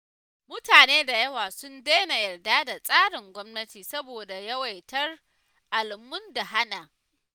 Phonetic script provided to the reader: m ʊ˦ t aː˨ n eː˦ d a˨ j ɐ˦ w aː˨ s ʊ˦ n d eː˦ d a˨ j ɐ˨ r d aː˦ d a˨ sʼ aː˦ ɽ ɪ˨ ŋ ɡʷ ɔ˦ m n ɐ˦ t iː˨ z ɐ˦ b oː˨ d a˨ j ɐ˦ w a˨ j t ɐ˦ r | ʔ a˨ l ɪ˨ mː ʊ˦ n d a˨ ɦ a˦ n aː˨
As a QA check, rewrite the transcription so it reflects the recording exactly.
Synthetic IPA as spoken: m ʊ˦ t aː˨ n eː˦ d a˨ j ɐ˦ w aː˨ s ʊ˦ n d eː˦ n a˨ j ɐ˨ r d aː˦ d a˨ sʼ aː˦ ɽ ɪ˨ ŋ ɡʷ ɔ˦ m n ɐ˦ t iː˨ s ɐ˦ b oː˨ d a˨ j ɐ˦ w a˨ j t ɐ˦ r | ʔ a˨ l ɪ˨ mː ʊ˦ n d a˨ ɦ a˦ n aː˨